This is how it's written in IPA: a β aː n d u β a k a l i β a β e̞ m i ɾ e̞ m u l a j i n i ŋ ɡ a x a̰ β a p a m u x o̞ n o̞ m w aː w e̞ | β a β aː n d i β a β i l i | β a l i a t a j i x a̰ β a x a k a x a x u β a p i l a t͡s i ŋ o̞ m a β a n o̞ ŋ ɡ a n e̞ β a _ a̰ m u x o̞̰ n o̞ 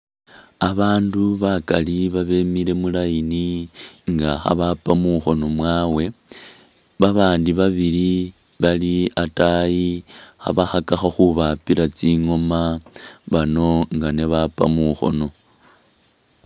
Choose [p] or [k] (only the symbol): p